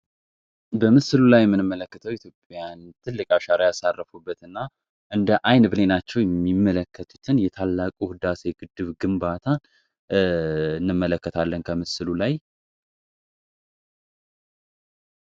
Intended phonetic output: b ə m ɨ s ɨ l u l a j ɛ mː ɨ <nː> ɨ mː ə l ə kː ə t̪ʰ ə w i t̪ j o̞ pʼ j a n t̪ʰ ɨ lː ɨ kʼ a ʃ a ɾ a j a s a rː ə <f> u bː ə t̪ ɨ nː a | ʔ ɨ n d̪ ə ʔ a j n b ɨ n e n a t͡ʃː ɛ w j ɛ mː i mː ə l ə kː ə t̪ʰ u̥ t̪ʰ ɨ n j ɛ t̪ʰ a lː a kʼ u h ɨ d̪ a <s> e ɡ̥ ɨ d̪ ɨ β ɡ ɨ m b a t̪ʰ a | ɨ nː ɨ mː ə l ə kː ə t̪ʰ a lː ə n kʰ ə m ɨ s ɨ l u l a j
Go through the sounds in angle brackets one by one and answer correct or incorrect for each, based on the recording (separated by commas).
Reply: incorrect, correct, correct